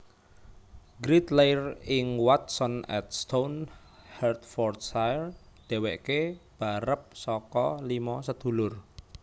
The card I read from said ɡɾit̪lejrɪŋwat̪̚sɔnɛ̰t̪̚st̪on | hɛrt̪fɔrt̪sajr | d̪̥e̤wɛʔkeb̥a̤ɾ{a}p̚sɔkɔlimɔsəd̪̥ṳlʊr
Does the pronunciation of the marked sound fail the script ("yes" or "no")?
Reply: yes